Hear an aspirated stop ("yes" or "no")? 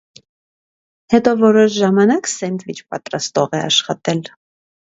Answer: no